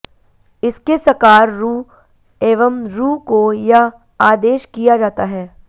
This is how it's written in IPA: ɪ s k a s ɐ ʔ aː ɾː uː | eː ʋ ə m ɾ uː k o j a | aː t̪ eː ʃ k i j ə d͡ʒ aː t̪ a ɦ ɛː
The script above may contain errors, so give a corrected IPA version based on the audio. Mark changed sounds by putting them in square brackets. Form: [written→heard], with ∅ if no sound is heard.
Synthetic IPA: ɪ s k [a→e] s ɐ [ʔ→k] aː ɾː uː | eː ʋ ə m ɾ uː k o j a | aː [t̪→d̪] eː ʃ k i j [ə→a] d͡ʒ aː t̪ a ɦ ɛː

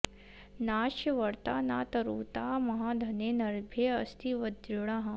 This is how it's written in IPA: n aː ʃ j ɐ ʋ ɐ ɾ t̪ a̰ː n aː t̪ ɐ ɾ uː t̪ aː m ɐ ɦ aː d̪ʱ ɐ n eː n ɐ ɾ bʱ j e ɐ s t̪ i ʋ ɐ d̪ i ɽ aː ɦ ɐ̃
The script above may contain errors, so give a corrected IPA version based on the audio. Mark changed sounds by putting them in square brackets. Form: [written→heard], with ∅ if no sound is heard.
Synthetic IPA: n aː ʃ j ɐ ʋ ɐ ɾ t̪ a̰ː n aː t̪ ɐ ɾ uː t̪ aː m ɐ ɦ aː d̪ʱ ɐ n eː n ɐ ɾ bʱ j e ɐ s t̪ i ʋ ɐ d̪ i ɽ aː ɦ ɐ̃

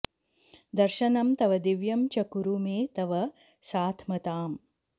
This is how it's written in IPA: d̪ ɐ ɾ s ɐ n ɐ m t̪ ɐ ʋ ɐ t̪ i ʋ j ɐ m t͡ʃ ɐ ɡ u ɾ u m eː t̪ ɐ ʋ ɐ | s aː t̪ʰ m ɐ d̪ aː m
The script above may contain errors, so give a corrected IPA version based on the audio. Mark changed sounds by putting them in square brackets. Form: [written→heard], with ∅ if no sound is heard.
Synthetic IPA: d̪ ɐ ɾ [s→ʃ] ɐ n ɐ m t̪ ɐ ʋ ɐ [t̪→d̪] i ʋ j ɐ m t͡ʃ ɐ [ɡ→k] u ɾ u m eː t̪ ɐ ʋ ɐ | s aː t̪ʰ m ɐ [d̪→t̪] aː m

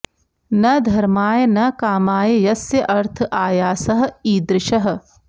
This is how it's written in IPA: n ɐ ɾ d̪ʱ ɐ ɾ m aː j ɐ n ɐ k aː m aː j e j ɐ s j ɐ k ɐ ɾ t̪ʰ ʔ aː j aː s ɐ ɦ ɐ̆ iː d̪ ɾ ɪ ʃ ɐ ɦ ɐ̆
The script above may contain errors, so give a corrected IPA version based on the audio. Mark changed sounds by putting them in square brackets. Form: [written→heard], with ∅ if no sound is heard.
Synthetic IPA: n ɐ [ɾ→∅] d̪ʱ ɐ ɾ m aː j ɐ n ɐ k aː m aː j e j ɐ s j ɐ [k→ʔ] ɐ ɾ t̪ʰ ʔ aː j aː s ɐ ɦ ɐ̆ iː d̪ ɾ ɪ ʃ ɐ ɦ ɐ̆

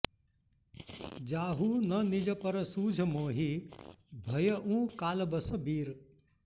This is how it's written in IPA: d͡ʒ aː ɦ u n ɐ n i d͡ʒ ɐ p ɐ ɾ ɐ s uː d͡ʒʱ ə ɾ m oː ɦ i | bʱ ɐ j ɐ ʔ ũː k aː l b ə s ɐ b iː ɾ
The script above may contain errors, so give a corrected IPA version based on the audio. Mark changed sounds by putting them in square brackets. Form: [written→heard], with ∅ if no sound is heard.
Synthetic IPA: d͡ʒ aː ɦ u n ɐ n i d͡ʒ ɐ p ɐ ɾ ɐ s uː d͡ʒʱ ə [ɾ→∅] m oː ɦ i | bʱ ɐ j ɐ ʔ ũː k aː l b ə s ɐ b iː ɾ

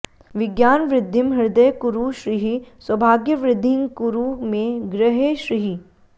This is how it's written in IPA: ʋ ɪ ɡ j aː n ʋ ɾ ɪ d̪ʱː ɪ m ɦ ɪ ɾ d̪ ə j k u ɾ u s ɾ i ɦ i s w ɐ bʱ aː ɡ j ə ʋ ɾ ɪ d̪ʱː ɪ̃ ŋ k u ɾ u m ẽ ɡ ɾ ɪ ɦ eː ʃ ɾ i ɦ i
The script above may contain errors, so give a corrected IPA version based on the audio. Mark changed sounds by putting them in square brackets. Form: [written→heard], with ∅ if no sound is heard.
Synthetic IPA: ʋ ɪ ɡ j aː n ʋ ɾ ɪ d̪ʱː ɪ m ɦ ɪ ɾ d̪ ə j k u ɾ u [s→ʃ] ɾ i ɦ i s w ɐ bʱ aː ɡ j ə ʋ ɾ ɪ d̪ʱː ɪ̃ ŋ k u ɾ u m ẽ ɡ ɾ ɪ ɦ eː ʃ ɾ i ɦ i

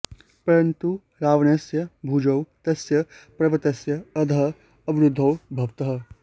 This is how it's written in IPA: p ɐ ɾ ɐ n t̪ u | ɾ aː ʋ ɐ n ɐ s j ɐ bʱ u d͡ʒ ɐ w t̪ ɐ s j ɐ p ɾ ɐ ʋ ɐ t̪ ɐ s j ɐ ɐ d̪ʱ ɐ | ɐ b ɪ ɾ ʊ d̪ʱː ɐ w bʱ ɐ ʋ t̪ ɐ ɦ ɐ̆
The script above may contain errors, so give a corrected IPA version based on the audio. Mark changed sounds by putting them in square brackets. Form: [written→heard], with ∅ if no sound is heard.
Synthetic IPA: p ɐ ɾ ɐ n t̪ u | ɾ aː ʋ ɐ n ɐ s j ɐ bʱ u d͡ʒ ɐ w t̪ ɐ s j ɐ p ɾ ɐ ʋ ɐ t̪ ɐ s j ɐ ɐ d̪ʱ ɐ | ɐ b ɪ ɾ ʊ d̪ʱː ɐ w bʱ ɐ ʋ t̪ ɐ ɦ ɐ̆

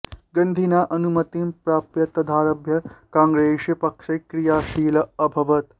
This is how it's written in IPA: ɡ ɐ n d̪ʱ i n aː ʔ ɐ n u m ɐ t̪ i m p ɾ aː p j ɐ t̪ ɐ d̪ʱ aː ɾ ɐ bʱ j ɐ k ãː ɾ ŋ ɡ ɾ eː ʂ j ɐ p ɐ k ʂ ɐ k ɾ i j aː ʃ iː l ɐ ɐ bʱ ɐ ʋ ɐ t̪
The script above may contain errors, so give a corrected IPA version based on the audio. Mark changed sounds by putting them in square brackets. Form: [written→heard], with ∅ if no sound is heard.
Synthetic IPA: ɡ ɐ n d̪ʱ i n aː ʔ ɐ n u m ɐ t̪ i m p ɾ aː p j ɐ t̪ ɐ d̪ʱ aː ɾ ɐ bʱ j ɐ k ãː [ɾ→∅] ŋ ɡ ɾ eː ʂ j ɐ p ɐ k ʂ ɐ k ɾ i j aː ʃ iː l ɐ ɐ bʱ ɐ ʋ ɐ t̪

